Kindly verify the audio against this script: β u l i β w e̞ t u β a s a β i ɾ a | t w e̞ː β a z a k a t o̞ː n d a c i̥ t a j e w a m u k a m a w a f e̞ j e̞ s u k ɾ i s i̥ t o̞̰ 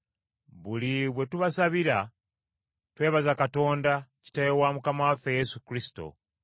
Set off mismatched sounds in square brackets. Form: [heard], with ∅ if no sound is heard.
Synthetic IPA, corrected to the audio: β u l i β w e̞ t u β a s a β i ɾ a | t w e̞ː β a z a k a t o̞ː n d a c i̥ t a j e w a m u k a m a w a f e̞ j e̞ s u k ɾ i s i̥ t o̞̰